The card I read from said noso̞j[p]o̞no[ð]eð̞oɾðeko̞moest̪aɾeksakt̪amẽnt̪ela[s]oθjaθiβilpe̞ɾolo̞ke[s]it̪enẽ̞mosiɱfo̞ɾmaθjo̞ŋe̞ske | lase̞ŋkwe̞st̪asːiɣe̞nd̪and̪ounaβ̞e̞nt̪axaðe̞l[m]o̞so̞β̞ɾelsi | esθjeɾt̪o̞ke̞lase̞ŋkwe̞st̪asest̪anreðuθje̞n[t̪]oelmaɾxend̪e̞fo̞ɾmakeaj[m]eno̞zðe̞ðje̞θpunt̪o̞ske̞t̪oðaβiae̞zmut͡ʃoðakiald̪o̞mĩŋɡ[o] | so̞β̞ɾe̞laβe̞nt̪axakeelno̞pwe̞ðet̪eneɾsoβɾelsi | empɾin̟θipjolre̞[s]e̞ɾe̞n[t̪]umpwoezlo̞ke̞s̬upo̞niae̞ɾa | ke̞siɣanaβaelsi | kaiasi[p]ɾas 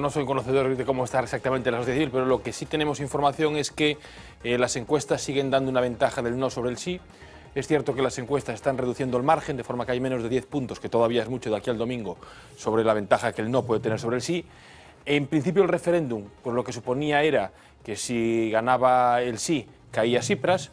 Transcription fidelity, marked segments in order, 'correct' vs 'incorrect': incorrect: k, incorrect: θ, correct, correct, incorrect: n, incorrect: d̪, correct, correct, incorrect: f, incorrect: d̪, correct

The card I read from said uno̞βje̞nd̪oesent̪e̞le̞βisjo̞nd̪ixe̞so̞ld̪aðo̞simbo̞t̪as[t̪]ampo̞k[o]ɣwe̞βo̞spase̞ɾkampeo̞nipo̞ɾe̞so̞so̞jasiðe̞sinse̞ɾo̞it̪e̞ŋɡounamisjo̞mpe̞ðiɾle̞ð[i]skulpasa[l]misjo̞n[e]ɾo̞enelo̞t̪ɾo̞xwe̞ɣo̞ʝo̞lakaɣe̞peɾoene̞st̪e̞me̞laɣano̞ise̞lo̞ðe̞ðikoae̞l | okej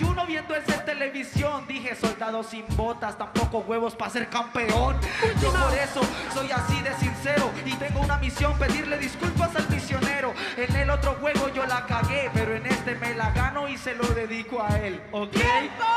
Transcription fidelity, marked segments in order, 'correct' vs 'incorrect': correct, correct, correct, correct, correct

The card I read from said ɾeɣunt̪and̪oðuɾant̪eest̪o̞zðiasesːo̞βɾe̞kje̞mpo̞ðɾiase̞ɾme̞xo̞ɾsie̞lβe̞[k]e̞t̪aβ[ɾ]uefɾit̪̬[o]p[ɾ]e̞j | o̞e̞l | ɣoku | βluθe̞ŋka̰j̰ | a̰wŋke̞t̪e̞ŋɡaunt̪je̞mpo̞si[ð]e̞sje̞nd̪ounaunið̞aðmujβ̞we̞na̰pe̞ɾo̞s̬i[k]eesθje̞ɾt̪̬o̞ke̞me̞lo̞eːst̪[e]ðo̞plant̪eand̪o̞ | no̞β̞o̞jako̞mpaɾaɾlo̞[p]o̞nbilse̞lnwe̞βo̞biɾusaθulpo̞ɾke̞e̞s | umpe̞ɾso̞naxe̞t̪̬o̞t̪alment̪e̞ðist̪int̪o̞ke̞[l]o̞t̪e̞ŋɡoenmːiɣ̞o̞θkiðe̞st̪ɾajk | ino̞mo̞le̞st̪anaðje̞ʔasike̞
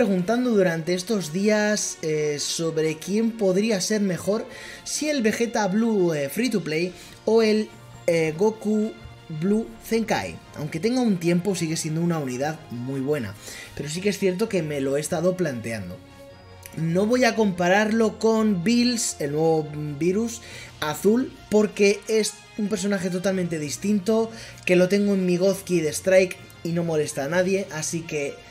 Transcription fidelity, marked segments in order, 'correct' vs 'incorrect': incorrect: x, incorrect: l, incorrect: u, incorrect: l, incorrect: ɣ, correct, incorrect: a, incorrect: k, correct

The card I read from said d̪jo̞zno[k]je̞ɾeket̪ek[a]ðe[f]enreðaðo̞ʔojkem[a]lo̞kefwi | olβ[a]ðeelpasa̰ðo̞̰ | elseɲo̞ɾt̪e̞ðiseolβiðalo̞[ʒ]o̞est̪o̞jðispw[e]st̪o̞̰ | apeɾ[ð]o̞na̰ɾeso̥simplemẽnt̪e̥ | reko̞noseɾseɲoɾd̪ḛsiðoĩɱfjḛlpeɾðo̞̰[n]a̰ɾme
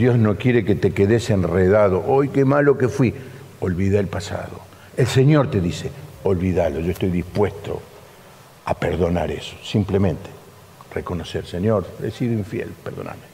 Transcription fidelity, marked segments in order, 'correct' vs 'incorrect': correct, incorrect: e, incorrect: s, correct, incorrect: i, correct, correct, correct, correct

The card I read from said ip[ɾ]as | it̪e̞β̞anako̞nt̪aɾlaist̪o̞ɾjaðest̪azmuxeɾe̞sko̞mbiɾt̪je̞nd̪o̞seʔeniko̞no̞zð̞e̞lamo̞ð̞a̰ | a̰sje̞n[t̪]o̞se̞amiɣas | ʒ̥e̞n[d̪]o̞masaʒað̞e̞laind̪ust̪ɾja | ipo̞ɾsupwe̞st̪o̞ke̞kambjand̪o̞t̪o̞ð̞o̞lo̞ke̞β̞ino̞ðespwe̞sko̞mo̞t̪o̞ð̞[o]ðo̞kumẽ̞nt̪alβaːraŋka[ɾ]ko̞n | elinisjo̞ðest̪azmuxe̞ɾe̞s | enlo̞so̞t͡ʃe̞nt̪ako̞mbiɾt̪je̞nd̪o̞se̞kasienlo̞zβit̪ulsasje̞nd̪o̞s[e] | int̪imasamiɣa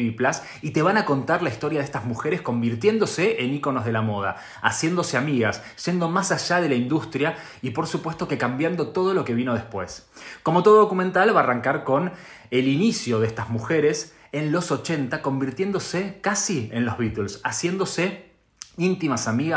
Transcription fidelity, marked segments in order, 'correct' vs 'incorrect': incorrect: l, incorrect: d̪, correct, correct, correct, correct

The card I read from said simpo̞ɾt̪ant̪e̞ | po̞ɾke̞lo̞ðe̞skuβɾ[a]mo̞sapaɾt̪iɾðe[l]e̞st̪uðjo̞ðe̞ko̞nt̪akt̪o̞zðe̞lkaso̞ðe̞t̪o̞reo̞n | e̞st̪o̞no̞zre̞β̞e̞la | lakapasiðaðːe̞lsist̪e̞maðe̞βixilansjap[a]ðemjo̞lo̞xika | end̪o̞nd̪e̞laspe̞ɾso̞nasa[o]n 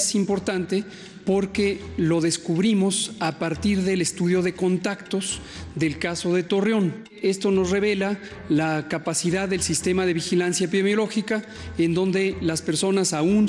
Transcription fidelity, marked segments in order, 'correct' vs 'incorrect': incorrect: i, correct, incorrect: i, incorrect: u

